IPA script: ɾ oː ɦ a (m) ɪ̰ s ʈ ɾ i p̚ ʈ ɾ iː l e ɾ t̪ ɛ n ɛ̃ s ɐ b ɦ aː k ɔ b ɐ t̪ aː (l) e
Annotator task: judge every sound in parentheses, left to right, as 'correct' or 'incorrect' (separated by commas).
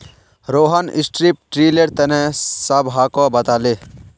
incorrect, correct